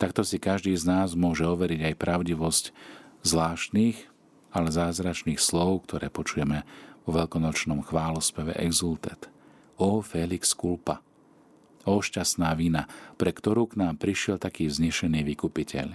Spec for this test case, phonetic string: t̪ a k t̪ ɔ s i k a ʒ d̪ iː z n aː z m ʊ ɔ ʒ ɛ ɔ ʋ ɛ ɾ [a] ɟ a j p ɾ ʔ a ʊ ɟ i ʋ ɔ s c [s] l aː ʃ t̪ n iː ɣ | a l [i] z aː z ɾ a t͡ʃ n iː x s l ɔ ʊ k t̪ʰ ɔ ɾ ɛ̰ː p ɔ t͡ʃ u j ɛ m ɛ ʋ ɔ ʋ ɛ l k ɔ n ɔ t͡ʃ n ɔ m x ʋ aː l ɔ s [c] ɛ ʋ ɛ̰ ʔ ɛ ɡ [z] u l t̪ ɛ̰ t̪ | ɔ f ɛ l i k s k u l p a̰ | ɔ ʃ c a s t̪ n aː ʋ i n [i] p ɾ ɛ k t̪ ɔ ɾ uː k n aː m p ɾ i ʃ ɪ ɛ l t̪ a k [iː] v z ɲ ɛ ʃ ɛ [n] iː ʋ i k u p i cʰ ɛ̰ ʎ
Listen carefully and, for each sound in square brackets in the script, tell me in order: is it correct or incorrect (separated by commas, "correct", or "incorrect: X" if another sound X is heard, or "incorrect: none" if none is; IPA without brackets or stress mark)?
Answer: incorrect: i, incorrect: z, incorrect: ɛ, incorrect: p, correct, incorrect: a, correct, correct